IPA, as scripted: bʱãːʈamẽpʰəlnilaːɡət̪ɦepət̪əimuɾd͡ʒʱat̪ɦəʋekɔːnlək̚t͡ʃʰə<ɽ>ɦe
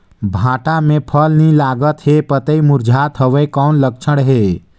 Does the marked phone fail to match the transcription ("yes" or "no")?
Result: no